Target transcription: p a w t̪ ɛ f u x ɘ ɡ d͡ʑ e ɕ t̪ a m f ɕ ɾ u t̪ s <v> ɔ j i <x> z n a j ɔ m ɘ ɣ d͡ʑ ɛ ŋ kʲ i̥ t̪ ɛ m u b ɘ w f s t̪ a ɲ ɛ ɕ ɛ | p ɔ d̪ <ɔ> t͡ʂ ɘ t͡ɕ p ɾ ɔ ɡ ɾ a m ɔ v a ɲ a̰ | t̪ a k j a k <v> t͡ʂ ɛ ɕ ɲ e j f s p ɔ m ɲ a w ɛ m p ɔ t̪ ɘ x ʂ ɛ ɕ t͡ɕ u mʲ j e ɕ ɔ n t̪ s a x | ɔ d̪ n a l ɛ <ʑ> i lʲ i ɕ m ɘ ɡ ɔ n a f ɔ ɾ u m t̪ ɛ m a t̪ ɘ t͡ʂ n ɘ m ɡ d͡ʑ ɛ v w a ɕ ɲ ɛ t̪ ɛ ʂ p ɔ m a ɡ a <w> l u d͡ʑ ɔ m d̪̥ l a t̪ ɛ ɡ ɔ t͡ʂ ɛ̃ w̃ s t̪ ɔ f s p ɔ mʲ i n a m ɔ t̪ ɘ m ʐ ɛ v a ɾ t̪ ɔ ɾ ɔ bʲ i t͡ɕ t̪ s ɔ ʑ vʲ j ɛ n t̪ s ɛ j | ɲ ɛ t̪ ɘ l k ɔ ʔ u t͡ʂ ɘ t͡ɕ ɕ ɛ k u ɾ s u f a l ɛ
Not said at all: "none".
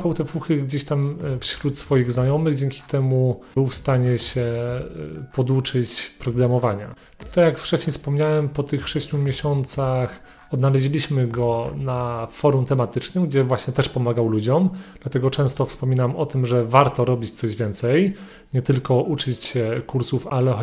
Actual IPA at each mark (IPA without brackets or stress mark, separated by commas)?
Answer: f, ɣ, u, f, ʑ, w